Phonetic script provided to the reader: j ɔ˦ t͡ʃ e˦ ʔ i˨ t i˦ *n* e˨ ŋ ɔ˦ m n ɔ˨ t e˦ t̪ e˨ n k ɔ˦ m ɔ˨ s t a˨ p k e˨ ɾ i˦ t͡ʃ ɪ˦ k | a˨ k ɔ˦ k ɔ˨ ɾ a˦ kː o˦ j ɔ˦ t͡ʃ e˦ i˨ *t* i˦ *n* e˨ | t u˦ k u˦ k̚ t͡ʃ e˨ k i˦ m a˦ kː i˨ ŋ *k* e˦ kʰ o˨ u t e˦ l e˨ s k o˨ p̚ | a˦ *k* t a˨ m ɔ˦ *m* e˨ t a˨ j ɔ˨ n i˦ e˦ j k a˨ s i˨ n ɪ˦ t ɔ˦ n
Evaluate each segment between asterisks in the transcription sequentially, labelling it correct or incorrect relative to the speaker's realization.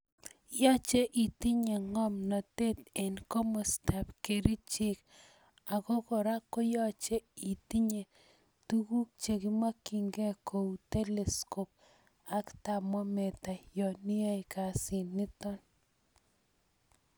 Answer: incorrect: ɲ, correct, incorrect: ɲ, incorrect: ɡ, correct, correct

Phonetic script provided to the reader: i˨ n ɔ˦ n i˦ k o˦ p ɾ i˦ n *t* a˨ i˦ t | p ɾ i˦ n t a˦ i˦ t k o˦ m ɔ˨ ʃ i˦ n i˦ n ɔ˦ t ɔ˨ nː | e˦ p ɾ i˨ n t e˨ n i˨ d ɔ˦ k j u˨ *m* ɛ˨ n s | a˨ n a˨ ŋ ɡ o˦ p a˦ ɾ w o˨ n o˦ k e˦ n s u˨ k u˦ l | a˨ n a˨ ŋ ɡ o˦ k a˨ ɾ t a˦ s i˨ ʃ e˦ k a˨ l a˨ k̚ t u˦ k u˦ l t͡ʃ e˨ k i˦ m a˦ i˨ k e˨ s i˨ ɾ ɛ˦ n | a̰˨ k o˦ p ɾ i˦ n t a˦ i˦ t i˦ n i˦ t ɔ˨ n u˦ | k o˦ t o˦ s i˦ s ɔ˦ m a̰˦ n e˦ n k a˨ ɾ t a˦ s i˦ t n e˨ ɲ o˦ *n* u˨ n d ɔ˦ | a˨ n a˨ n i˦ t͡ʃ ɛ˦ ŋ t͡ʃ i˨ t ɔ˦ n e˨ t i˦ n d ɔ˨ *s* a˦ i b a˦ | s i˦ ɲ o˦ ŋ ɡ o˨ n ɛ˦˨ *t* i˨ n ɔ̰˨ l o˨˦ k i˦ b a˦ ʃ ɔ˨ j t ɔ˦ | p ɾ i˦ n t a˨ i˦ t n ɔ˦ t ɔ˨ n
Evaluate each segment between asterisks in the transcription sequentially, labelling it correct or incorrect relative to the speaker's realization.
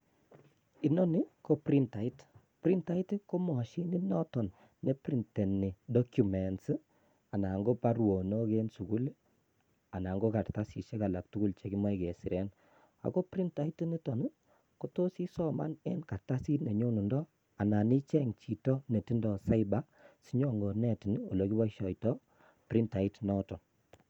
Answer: correct, correct, correct, correct, correct

